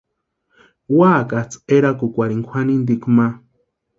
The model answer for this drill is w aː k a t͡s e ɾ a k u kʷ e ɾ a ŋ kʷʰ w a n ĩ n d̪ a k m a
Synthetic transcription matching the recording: w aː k a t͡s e ɾ a k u kʷ a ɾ i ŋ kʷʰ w a n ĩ n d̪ i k m a